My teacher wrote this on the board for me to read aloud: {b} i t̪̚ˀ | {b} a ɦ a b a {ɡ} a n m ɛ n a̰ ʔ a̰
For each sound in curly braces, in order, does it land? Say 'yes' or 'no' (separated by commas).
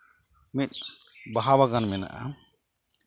no, yes, yes